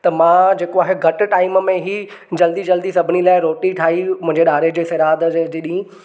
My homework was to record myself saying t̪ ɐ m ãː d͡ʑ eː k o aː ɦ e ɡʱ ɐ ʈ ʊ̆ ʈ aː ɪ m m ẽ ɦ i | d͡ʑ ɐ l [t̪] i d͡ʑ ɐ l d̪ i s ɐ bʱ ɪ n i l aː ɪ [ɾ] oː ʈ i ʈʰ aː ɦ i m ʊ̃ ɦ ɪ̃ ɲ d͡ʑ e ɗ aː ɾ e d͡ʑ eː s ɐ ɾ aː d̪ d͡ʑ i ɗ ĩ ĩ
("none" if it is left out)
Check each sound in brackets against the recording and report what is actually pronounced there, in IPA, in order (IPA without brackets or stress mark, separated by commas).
d̪, ɾ